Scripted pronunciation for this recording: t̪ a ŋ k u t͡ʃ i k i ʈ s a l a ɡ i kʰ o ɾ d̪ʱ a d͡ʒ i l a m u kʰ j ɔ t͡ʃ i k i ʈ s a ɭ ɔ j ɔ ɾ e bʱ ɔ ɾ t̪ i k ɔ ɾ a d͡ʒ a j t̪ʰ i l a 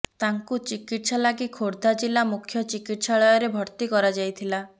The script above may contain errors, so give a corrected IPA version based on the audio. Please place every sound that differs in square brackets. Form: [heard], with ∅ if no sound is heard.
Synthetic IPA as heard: t̪ a ŋ k u t͡ʃ i k i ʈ s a l a ɡ i kʰ o ɾ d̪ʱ a d͡ʒ i l a m u kʰ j ɔ t͡ʃ i k i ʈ s a ɭ ɔ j ɔ ɾ e bʱ ɔ ɾ t̪ i k ɔ ɾ a d͡ʒ a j t̪ʰ i l a

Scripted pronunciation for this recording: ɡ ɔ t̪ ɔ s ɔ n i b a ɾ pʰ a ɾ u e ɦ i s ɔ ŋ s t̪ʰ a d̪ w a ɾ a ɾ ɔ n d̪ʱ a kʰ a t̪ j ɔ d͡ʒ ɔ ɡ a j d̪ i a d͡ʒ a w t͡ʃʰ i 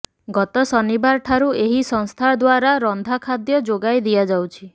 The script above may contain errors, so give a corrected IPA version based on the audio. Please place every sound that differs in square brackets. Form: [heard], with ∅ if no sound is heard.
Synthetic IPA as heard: ɡ ɔ t̪ ɔ s ɔ n i b a ɾ [ʈʰ] a ɾ u e ɦ i s ɔ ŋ s t̪ʰ a d̪ w a ɾ a ɾ ɔ n d̪ʱ a kʰ a [d̪] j ɔ d͡ʒ [o] ɡ a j d̪ i a d͡ʒ a w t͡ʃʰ i

